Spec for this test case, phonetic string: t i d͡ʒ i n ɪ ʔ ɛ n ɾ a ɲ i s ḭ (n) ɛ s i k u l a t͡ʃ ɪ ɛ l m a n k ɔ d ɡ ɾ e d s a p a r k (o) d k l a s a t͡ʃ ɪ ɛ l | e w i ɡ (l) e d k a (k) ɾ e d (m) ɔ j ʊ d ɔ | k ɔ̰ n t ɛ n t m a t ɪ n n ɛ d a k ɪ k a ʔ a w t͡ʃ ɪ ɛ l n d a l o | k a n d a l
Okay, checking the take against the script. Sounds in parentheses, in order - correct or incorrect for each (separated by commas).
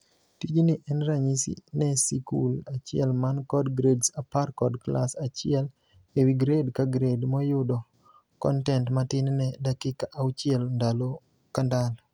correct, incorrect, incorrect, incorrect, correct